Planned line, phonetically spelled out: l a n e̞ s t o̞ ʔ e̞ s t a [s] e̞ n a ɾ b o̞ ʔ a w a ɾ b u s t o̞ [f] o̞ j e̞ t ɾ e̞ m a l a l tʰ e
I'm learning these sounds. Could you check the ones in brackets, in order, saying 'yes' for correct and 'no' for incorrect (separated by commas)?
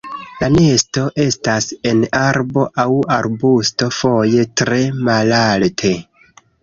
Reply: yes, yes